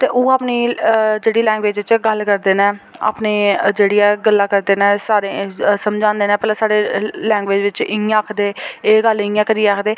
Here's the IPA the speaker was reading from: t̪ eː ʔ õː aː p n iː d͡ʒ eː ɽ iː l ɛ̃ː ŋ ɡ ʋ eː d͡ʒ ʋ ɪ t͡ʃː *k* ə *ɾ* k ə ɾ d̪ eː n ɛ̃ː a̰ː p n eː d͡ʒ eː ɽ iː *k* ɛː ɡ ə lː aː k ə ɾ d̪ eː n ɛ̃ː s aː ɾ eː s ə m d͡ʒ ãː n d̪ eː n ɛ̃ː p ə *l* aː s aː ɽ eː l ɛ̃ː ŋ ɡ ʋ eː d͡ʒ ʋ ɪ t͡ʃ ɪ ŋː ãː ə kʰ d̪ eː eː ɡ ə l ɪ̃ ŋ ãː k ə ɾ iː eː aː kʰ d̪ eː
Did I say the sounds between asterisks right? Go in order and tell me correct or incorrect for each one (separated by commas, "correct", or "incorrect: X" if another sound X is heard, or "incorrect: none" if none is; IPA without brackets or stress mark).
incorrect: ɡ, incorrect: l, incorrect: none, correct